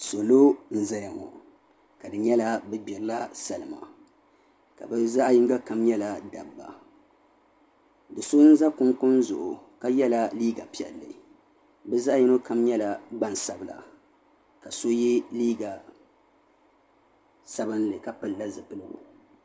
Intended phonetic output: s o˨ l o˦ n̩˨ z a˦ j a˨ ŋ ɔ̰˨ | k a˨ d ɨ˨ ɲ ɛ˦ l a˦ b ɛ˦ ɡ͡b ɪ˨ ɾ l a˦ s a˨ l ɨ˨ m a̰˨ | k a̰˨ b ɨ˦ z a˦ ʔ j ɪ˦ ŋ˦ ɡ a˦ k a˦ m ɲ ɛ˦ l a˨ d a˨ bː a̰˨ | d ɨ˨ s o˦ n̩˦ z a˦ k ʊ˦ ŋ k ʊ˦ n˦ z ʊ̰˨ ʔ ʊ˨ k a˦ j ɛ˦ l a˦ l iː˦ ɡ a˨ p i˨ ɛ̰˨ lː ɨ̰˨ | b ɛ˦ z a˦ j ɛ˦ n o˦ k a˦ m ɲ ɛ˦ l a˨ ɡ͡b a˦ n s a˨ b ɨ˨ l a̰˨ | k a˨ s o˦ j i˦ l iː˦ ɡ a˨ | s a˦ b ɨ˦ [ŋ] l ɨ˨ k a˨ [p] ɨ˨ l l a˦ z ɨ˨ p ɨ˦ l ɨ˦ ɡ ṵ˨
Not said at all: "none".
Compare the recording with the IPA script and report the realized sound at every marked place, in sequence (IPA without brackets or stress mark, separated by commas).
n, p